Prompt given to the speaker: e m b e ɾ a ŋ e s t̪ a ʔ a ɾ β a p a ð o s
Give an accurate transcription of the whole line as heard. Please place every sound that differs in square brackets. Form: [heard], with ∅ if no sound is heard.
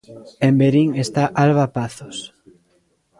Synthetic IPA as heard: e m b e ɾ [i] ŋ e s t̪ a ʔ a [l] β a p a [θ] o s